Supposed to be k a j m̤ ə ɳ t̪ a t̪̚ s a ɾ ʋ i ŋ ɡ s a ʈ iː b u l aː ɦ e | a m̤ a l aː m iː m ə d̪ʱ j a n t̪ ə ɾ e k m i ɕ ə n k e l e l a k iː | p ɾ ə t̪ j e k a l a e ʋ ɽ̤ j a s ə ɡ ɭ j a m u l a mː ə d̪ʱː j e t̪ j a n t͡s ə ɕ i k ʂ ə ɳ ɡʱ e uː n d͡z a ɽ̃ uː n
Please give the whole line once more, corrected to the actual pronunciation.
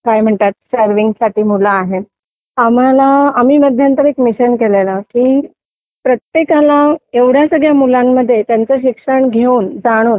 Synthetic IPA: k a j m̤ ə ɳ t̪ a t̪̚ s ə ɾ ʋ i ŋ ɡ s a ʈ iː m u l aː ɦ e | a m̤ a l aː m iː m ə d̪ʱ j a n t̪ ə ɾ e k m i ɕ ə n k e l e l a k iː | p ɾ ə t̪ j e k a l a e ʋ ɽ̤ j a s ə ɡ ɭ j a m u l a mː ə d̪ʱː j e t̪ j a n t͡s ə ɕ i k ʂ ə ɳ ɡʱ e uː n d͡z a ɽ̃ uː n